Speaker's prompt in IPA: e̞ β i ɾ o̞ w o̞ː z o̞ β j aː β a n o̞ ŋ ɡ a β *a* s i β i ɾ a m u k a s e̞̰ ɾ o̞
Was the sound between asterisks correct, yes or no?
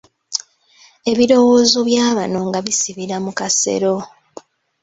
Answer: no